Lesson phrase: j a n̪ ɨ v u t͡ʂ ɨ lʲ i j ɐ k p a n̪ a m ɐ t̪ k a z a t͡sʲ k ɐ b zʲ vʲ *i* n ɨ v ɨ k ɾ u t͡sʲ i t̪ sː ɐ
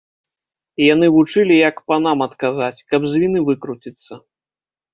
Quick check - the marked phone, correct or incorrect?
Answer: correct